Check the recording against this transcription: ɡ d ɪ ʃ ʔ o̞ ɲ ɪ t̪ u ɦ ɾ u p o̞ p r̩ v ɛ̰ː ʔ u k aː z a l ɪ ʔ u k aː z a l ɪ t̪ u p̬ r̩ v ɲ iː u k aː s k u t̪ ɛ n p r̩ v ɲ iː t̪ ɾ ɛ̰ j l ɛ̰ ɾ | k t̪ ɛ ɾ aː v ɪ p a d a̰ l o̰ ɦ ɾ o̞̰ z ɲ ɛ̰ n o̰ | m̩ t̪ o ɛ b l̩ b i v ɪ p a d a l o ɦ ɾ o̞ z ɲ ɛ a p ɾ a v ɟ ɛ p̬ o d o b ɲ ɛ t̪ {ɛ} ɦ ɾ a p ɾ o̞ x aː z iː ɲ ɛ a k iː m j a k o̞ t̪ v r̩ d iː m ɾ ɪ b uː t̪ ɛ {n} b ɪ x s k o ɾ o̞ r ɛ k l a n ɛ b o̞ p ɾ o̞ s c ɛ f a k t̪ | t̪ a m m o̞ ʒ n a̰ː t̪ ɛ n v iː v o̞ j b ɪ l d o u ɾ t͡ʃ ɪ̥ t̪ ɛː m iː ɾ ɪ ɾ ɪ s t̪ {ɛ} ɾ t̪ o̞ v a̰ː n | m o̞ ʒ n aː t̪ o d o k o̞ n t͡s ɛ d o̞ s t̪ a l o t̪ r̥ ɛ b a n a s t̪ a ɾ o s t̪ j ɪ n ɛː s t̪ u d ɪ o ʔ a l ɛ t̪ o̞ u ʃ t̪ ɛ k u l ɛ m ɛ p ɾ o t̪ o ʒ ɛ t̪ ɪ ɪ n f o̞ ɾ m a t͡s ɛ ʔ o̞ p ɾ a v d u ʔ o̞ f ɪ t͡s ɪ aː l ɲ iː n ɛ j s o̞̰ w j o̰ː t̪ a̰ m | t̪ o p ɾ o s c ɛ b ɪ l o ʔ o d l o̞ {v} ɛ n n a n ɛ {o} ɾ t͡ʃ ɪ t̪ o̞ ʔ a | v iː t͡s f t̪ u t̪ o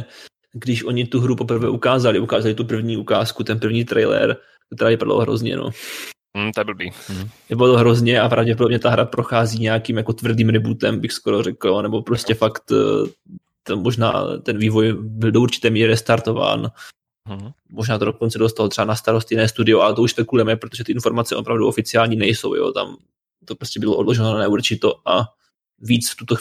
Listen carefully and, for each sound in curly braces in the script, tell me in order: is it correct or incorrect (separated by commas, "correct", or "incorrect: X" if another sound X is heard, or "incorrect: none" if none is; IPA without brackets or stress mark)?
incorrect: a, incorrect: m, incorrect: a, incorrect: ʒ, incorrect: u